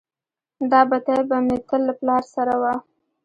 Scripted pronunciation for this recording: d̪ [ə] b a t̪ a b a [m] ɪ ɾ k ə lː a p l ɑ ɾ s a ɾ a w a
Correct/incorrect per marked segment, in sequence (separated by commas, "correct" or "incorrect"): incorrect, correct